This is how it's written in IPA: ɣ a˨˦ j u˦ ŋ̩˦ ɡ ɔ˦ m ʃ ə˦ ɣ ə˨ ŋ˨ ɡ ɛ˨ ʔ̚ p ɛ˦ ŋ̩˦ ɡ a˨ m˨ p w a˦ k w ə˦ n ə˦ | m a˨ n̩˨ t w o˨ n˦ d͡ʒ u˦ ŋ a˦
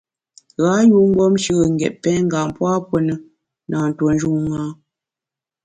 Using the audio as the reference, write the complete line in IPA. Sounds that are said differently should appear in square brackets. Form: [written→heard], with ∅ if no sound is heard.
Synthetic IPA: ɣ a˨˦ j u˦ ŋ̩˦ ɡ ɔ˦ m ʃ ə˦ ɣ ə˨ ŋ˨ ɡ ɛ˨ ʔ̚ p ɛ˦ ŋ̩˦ ɡ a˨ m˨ p w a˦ [k→p] w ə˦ n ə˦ | [m→n] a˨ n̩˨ t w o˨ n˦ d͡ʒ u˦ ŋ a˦